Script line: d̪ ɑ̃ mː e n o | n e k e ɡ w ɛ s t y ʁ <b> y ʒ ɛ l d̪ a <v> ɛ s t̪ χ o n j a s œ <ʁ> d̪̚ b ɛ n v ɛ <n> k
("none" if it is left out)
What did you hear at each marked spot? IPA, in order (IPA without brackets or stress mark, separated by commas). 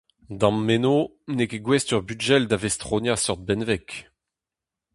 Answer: b, v, ʁ, none